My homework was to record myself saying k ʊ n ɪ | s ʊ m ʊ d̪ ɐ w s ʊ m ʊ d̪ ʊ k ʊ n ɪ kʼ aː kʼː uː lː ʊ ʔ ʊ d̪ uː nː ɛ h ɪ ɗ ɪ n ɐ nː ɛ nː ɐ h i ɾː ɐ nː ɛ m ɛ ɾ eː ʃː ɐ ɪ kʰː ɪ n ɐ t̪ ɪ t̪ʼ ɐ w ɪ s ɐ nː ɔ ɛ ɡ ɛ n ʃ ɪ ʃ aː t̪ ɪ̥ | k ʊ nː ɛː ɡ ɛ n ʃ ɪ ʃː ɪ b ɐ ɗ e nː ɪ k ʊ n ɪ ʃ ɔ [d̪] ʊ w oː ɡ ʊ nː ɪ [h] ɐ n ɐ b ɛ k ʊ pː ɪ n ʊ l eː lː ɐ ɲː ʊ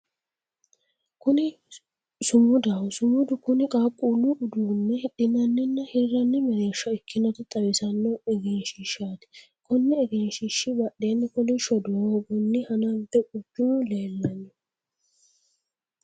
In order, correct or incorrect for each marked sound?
correct, correct

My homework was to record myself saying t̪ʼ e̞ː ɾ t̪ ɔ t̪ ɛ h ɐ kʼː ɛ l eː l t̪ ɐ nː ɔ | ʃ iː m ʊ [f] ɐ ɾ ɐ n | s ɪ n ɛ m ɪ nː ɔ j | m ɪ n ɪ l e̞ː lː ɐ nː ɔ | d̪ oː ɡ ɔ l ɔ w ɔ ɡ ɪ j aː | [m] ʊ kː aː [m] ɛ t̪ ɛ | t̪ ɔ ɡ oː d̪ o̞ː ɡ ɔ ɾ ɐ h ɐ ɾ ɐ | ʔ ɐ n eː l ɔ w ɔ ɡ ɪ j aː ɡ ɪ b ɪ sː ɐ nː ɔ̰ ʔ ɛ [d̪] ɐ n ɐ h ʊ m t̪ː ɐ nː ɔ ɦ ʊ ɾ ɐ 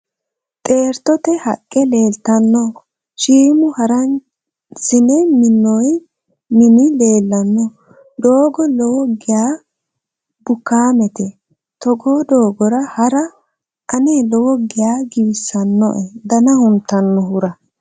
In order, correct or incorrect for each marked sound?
incorrect: h, incorrect: b, correct, correct

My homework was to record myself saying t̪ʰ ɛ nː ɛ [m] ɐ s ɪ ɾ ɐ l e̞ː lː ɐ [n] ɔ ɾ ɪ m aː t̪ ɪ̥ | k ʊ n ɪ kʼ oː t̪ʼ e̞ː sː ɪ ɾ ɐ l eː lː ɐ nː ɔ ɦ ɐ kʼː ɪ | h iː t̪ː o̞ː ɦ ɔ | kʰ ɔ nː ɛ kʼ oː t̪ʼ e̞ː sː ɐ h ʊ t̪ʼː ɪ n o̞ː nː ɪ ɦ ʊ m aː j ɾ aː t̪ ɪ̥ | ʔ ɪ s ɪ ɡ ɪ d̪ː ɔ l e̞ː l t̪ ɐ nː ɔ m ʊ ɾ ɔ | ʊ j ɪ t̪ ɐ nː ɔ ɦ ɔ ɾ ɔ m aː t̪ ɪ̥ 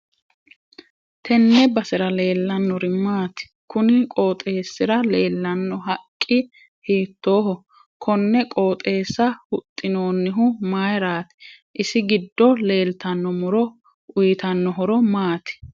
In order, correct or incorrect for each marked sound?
incorrect: b, incorrect: nː

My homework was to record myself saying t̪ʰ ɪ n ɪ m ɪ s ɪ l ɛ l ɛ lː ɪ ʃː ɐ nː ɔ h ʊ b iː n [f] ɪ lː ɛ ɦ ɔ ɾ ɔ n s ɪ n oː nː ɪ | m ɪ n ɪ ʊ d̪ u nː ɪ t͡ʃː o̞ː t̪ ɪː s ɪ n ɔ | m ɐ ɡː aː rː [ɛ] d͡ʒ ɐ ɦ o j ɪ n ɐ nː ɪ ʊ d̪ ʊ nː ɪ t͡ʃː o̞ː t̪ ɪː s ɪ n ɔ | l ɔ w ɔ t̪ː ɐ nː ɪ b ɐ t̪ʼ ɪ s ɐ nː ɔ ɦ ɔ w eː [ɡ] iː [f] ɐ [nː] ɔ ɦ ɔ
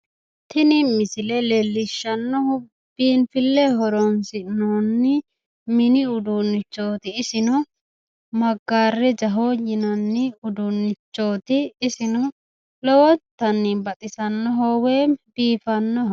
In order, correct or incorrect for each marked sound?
correct, correct, incorrect: b, correct, correct

